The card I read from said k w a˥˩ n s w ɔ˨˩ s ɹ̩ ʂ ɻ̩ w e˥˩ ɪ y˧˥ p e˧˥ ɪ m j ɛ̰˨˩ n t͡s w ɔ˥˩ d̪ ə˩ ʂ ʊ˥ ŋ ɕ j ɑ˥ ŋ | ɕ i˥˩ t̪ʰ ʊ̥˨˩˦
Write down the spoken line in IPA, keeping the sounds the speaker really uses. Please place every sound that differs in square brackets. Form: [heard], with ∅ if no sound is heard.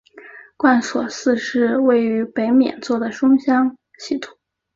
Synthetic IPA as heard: k w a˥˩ n s w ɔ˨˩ s ɹ̩ ʂ ɻ̩ w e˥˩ ɪ y˧˥ p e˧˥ ɪ m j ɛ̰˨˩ n t͡s w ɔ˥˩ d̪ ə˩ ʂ ʊ˥ ŋ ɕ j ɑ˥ ŋ | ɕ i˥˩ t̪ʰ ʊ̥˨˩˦